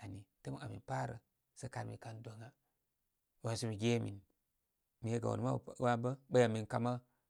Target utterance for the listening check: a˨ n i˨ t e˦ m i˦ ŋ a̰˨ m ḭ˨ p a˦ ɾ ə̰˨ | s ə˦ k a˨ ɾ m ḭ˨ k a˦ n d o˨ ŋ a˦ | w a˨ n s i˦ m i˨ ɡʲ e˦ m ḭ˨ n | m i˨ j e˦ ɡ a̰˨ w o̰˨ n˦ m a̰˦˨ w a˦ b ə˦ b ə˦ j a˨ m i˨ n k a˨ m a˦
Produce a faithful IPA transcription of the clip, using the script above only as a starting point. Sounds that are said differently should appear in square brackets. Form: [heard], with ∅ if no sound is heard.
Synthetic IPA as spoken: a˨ n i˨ t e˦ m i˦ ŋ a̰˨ m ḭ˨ p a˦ ɾ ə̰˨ | s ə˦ k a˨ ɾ m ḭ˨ k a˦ n d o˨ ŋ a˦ | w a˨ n s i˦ m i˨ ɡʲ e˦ m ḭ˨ n | m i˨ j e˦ ɡ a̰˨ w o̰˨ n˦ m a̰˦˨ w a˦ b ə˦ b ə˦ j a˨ m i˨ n k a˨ m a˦